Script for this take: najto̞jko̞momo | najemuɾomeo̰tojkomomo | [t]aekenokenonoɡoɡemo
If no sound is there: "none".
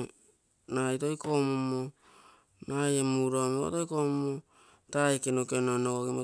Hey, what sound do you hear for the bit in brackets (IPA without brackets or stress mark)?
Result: t